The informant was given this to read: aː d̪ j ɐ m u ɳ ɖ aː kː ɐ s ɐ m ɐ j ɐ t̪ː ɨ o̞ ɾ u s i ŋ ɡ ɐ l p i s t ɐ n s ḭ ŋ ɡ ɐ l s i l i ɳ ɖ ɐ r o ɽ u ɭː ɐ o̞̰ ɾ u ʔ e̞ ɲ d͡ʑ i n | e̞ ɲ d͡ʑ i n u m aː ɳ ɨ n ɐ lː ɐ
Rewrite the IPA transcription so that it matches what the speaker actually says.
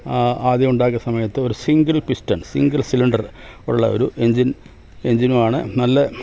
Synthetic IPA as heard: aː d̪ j ɐ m u ɳ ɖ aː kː ɐ s ɐ m ɐ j ɐ t̪ː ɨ o̞ ɾ u s i ŋ ɡ ɐ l p i s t ɐ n s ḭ ŋ ɡ ɐ l s i l i ɳ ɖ ɐ r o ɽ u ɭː ɐ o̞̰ ɾ u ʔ e̞ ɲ d͡ʑ i n | e̞ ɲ d͡ʑ i n u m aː ɳ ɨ n ɐ lː ɐ

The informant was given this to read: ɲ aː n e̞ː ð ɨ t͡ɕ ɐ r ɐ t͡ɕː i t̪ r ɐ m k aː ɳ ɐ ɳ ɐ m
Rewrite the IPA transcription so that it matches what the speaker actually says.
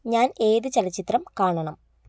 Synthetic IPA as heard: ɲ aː n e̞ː ð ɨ t͡ɕ ɐ l ɐ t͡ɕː i t̪ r ɐ m k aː ɳ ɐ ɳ ɐ m

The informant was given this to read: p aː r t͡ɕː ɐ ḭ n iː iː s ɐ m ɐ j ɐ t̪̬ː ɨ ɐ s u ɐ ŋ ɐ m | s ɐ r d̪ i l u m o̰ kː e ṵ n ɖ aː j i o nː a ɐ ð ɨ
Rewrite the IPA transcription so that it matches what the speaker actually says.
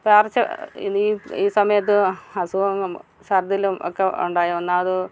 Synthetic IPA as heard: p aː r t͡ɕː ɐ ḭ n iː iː s ɐ m ɐ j ɐ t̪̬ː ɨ ɐ s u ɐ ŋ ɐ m | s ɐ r d̪ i l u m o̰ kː e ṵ ɳ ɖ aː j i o nː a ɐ ð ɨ

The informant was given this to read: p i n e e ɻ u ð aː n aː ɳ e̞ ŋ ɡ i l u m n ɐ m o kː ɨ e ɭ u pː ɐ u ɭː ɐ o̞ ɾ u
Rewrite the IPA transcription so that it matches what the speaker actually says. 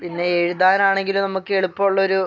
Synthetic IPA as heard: p i nː e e ɻ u ð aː n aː ɳ e̞ ŋ ɡ i l u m n ɐ m u kː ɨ e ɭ u pː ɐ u ɭː ɐ o̞ ɾ u

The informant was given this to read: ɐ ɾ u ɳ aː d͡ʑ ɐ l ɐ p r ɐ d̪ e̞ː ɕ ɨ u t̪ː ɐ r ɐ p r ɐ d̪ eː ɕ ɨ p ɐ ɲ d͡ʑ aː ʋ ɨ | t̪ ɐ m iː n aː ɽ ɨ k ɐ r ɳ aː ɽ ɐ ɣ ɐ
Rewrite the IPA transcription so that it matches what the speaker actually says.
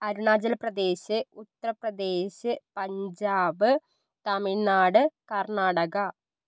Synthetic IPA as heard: ɐ ɾ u ɳ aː d͡ʑ ɐ l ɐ p r ɐ d̪ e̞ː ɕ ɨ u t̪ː ɐ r ɐ p r ɐ d̪ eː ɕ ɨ p ɐ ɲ d͡ʑ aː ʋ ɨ | t̪ ɐ m i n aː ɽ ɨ k ɐ r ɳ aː ɽ ɐ ɣ ɐ

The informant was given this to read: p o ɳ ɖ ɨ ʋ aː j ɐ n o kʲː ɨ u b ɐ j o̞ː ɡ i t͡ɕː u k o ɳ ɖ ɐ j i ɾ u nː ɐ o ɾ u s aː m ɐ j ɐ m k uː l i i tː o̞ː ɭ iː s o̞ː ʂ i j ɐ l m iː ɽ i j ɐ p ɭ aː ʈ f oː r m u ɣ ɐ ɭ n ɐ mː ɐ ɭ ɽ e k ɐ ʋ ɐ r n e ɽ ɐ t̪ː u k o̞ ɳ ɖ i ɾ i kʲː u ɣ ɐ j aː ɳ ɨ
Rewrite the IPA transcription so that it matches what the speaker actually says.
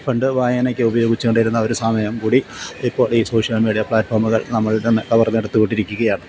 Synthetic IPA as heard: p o ɳ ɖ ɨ ʋ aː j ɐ n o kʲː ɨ u b ɐ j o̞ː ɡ i t͡ɕː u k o ɳ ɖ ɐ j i ɾ u nː ɐ o ɾ u s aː m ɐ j ɐ m k uː ɽ i i pː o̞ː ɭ iː s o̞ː ʂ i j ɐ l m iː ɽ i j ɐ p ɭ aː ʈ f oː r m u ɣ ɐ ɭ n ɐ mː ɐ ɭ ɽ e k ɐ ʋ ɐ r n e ɽ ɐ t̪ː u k o̞ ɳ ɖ i ɾ i kʲː u ɣ ɐ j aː ɳ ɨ

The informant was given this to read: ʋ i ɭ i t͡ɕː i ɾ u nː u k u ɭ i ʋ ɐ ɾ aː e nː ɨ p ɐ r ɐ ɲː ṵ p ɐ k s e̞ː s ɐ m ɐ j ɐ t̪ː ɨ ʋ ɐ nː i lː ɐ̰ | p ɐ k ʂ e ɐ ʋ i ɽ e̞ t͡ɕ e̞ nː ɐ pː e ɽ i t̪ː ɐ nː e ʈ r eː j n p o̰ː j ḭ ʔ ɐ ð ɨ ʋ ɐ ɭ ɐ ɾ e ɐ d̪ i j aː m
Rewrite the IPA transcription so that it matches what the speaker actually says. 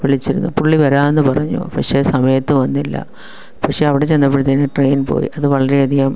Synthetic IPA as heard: ʋ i ɭ i t͡ɕː i ɾ u nː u p u ɭː i ʋ ɐ ɾ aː e nː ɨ p ɐ r ɐ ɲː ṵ p ɐ k ʂ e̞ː s ɐ m ɐ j ɐ t̪ː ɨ ʋ ɐ nː i lː ɐ̰ | p ɐ k ʂ e ɐ ʋ i ɽ e̞ t͡ɕ e̞ nː ɐ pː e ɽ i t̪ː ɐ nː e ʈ r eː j n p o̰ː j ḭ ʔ ɐ ð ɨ ʋ ɐ ɭ ɐ ɾ e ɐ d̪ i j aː m

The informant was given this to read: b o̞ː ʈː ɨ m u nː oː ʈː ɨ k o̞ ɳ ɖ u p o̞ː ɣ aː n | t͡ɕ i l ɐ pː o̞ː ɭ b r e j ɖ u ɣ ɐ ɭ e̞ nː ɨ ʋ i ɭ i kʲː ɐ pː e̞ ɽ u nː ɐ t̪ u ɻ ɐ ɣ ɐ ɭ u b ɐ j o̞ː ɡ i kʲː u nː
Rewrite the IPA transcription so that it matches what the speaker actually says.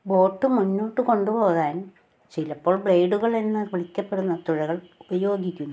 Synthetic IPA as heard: b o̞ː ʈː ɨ m u nː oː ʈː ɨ k o̞ ɳ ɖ u p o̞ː ɣ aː n | t͡ɕ i l ɐ pː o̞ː ɭ b ɭ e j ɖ u ɣ ɐ ɭ e̞ nː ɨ ʋ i ɭ i kʲː ɐ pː e̞ ɽ u nː ɐ t̪ u ɻ ɐ ɣ ɐ ɭ u b ɐ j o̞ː ɡ i kʲː u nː

